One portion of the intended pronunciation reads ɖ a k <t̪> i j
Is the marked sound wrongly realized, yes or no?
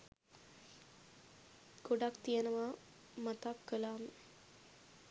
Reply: no